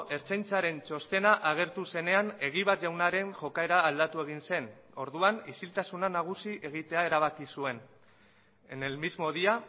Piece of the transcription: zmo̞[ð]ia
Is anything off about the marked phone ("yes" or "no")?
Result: no